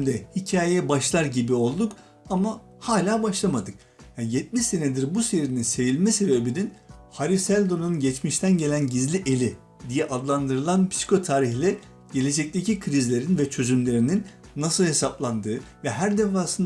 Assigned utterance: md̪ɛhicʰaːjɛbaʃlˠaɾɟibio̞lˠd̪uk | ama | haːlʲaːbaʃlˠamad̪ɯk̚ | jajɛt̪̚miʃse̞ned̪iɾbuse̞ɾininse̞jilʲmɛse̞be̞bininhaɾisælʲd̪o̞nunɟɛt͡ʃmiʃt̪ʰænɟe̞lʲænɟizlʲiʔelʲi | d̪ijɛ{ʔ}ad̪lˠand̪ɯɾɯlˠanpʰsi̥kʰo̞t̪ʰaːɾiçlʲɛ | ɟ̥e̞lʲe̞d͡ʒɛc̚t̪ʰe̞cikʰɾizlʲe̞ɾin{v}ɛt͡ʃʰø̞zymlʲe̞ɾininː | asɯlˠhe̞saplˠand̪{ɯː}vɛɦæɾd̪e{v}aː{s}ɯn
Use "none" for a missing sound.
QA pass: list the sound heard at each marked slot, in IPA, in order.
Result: ʔ, v, ɯː, f, s

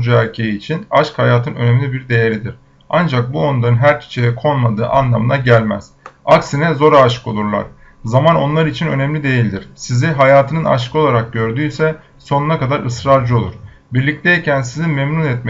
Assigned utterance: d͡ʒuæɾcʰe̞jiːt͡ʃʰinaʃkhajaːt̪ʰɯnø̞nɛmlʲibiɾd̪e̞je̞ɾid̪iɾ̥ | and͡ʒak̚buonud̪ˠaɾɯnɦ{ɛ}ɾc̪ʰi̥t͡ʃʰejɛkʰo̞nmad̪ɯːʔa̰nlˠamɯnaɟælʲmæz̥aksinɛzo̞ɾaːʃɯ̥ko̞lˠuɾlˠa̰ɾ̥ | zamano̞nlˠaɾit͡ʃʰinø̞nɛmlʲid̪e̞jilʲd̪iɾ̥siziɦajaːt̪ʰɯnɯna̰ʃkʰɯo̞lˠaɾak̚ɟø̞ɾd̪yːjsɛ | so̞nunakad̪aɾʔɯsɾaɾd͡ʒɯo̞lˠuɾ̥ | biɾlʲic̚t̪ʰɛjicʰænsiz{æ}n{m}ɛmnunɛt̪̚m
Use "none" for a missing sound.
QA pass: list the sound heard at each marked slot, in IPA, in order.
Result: æ, i, m

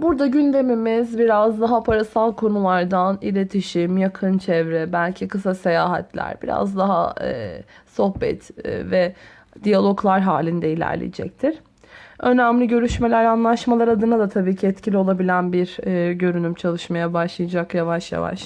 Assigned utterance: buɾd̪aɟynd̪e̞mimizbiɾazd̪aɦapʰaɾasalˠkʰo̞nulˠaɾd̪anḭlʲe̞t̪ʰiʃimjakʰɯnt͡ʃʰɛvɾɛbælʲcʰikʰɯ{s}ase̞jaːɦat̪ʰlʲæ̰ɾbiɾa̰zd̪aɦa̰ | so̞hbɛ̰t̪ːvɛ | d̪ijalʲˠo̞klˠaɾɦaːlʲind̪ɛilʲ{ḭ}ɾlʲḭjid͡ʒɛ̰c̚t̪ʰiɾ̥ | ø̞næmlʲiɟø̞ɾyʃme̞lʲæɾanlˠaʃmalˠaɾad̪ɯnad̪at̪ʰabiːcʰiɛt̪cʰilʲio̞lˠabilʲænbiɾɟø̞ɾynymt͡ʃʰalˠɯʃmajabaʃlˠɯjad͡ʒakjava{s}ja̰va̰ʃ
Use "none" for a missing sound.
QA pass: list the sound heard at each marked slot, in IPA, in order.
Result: s, æ̰, ʃ

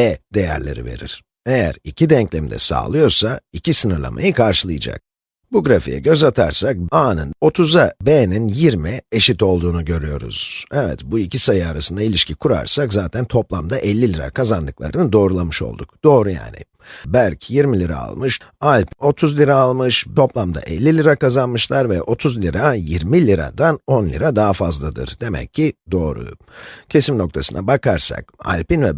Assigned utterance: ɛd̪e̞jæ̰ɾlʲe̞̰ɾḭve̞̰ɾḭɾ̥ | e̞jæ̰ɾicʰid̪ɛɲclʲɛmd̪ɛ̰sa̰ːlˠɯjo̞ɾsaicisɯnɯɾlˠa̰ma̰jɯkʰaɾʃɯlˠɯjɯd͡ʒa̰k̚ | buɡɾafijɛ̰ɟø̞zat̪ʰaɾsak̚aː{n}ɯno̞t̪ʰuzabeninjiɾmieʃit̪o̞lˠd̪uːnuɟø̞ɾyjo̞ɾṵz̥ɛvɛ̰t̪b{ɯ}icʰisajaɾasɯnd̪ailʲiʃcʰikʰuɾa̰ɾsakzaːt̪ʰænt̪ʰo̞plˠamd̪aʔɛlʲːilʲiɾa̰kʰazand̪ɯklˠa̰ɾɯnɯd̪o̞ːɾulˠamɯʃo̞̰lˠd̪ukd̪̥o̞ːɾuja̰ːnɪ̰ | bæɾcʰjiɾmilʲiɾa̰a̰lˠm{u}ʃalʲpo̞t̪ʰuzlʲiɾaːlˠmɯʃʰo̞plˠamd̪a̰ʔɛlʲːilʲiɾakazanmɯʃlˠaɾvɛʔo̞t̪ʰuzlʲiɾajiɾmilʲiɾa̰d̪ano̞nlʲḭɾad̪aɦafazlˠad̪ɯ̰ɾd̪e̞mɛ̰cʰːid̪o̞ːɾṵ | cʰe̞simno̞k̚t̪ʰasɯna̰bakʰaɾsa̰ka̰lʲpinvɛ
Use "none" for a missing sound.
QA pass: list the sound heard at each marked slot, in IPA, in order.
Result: n, u, ɯ

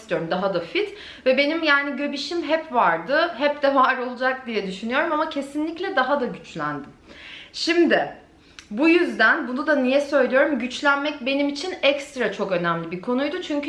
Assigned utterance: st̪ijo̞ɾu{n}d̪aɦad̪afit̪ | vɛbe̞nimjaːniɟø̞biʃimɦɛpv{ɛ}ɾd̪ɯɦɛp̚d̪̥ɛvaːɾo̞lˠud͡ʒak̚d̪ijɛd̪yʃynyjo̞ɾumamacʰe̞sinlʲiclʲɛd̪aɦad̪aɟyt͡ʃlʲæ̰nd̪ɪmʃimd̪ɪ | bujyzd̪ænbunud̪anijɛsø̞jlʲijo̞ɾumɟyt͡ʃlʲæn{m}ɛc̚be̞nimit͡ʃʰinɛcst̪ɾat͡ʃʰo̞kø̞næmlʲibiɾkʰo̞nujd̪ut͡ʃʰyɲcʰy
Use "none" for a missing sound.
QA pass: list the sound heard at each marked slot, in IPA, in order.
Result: m, a, m

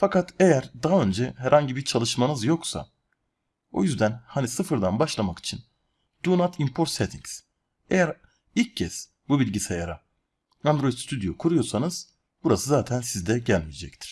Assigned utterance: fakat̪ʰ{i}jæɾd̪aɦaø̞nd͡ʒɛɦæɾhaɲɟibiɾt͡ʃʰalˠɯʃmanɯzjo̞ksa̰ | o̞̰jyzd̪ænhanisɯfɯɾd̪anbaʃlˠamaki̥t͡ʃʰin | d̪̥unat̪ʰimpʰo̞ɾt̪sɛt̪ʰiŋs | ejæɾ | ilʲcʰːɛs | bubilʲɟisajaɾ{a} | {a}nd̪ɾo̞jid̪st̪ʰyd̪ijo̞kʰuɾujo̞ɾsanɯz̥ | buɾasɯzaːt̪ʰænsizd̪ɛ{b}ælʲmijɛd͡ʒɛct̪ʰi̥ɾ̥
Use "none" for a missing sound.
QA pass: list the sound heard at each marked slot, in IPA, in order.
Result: e, a, a, ɟ

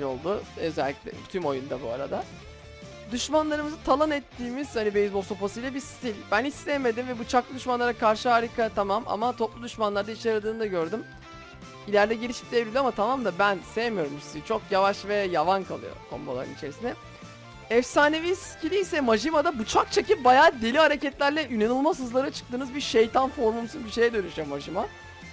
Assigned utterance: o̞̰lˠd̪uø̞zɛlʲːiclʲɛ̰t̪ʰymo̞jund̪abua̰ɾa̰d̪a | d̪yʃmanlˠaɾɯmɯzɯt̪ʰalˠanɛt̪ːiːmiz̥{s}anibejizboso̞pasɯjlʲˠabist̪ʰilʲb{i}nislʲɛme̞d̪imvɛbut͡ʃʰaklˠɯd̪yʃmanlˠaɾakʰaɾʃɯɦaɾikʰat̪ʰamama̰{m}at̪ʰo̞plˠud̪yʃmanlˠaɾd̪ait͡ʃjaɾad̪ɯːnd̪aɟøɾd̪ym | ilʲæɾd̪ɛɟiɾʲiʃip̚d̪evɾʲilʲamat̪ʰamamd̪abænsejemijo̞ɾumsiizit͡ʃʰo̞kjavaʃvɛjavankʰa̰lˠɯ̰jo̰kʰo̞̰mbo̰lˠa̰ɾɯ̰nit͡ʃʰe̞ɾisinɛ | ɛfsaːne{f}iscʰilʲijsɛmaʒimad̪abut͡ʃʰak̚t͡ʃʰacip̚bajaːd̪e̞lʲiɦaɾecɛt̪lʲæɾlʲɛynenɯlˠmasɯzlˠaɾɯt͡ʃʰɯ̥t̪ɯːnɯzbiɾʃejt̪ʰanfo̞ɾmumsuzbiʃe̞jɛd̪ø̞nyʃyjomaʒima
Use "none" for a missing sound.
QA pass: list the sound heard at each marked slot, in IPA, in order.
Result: h, æ, m, v

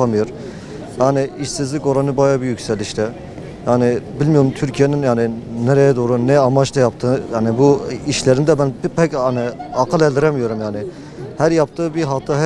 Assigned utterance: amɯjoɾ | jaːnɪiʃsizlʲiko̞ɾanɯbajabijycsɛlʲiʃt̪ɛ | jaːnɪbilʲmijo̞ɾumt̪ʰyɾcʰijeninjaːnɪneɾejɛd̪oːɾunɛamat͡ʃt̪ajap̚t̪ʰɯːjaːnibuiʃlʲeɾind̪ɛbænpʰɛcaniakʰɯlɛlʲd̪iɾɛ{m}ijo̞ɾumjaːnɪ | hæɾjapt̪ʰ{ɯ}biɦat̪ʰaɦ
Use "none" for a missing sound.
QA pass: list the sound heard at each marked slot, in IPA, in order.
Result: m, ɯː

